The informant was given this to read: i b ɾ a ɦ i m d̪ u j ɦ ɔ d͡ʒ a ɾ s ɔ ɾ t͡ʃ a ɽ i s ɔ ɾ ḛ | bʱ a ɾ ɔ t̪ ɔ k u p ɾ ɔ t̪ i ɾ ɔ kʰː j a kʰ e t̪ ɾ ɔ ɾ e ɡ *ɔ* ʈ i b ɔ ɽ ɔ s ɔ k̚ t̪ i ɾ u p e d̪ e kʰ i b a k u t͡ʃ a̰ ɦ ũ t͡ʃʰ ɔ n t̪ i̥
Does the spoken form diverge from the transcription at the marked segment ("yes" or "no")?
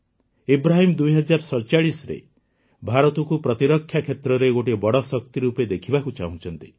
yes